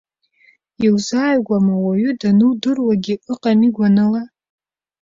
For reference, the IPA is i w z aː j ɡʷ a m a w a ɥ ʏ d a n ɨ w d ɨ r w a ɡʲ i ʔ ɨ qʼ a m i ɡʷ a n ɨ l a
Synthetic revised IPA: i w z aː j ɡʷ a m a w a ɥ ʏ d a n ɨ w d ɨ r w a ɡʲ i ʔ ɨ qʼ a m i ɡʷ a n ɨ l a

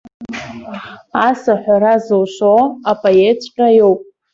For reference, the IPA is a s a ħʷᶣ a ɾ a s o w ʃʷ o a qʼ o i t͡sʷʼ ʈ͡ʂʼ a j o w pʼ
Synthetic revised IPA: a s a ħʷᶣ a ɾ a z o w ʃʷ o a pʼ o e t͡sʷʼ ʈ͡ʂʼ a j o w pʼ

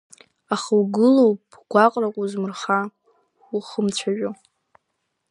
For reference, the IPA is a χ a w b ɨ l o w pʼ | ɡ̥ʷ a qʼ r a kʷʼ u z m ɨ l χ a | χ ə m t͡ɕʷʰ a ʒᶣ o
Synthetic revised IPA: a χ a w ɡ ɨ l o w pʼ | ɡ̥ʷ a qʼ r a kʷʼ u z m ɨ r χ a | χ ə m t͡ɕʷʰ a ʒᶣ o

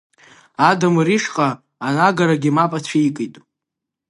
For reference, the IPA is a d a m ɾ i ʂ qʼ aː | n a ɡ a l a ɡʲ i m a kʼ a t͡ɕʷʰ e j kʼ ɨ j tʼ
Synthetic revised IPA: a d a m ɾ i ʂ qʼ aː | n a ɡ a ɾ a ɡʲ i m a pʼ a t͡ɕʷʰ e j kʼ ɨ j tʼ

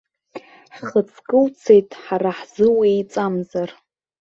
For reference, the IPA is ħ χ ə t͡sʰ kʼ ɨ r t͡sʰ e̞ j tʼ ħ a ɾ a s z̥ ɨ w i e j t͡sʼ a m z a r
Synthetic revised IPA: ħ χ ə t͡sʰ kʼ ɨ l t͡sʰ e̞ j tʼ ħ a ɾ a ħ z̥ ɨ w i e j t͡sʼ a m z a r

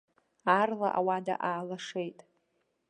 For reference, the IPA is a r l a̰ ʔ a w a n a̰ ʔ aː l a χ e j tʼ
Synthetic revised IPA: a r l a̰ ʔ a w a d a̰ ʔ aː l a ʂ e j tʼ

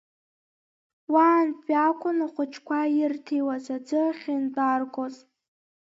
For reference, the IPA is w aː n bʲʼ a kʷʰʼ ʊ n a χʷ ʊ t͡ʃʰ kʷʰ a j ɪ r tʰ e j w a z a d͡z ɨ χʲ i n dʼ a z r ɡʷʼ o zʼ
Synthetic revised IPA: w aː n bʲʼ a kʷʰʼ ʊ n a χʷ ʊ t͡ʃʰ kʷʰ a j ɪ r tʰ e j w a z a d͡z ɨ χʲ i n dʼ a r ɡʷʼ o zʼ

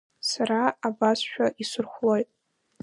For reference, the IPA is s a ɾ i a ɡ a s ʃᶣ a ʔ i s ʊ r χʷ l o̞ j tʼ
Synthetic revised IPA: s a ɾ a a b a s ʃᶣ a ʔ i s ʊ r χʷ l o̞ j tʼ

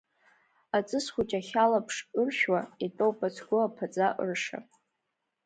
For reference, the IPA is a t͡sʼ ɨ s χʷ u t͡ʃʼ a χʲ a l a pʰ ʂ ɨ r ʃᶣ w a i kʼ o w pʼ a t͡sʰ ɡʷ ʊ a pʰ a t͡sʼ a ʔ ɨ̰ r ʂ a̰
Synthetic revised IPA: a t͡sʼ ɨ s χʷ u t͡ʃʼ a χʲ a l a pʰ ʂ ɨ r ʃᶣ w a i tʼ o w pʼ a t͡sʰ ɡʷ ʊ a pʰ a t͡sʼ a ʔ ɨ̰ r ʂ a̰

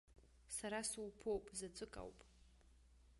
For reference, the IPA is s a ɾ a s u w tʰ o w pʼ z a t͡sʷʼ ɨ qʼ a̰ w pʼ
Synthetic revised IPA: s a ɾ a s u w pʰ o w pʼ z a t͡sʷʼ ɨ kʼ a̰ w pʼ

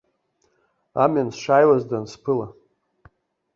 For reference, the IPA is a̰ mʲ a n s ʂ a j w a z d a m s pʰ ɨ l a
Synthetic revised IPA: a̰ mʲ a n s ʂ a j w a z d a n s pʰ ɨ l a

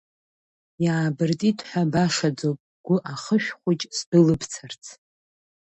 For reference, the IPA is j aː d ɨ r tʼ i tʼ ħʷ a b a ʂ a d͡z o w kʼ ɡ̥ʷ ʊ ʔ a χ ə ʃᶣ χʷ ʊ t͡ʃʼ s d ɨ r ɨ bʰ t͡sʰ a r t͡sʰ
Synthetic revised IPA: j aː b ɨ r tʼ i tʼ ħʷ a b a ʂ a d͡z o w pʼ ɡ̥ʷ ʊ ʔ a χ ə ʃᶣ χʷ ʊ t͡ʃʼ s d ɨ l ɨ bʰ t͡sʰ a r t͡sʰ

